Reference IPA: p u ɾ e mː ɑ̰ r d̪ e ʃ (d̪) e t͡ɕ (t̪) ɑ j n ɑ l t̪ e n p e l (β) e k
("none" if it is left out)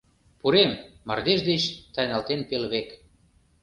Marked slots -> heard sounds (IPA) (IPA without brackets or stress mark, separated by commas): d̪, t̪, β